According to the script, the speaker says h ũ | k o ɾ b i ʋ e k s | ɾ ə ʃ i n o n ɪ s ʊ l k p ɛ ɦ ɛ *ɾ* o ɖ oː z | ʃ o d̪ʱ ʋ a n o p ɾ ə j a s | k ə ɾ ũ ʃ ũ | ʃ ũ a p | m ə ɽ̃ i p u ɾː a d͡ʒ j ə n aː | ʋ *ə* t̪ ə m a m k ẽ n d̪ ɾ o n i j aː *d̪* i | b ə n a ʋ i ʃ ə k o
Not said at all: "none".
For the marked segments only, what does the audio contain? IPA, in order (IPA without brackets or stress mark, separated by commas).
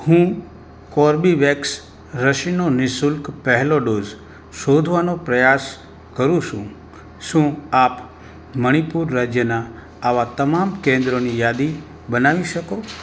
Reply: l, a, d̪